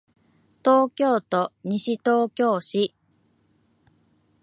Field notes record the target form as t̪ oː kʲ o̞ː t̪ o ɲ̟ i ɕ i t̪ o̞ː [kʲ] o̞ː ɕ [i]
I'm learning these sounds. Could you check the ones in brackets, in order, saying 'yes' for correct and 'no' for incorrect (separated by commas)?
yes, yes